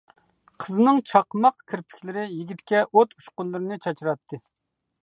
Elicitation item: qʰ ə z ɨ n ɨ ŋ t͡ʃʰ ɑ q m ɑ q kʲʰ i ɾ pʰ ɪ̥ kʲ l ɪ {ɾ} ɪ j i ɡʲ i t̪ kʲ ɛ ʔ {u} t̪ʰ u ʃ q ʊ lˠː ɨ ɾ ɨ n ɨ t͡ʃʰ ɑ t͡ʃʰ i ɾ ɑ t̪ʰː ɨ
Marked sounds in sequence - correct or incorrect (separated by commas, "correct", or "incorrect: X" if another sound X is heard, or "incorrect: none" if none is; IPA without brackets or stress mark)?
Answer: correct, incorrect: o